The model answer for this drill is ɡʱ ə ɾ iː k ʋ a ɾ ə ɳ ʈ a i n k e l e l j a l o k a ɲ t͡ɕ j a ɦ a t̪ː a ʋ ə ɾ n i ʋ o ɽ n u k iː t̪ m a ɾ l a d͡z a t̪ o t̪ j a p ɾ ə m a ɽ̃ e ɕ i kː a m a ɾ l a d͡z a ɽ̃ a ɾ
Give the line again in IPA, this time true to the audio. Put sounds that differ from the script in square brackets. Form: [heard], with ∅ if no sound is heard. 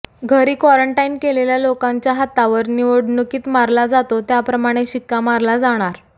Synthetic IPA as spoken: ɡʱ ə ɾ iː k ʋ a ɾ ə ɳ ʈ a i n k e l e l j a l o k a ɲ t͡ɕ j a ɦ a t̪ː a ʋ ə ɾ n i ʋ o ɽ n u k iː t̪ m a ɾ l a d͡z a t̪ o t̪ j a p ɾ ə m a ɽ̃ e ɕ i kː a m a ɾ l a d͡z a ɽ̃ a ɾ